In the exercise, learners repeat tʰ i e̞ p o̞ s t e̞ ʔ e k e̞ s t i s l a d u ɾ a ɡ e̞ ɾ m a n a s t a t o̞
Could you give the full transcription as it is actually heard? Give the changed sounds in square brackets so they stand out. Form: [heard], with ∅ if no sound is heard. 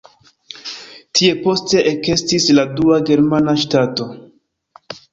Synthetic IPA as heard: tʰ i e̞ p o̞ s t e̞ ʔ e k e̞ s t i s l a d u [∅] a ɡ e̞ ɾ m a n a [ʃ] t a t o̞